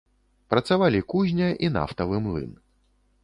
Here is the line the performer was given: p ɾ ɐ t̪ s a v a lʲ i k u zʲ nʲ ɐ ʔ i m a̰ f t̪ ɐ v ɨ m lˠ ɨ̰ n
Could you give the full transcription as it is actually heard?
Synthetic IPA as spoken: p ɾ ɐ t̪ s a v a lʲ i k u zʲ nʲ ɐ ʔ i n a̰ f t̪ ɐ v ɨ m lˠ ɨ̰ n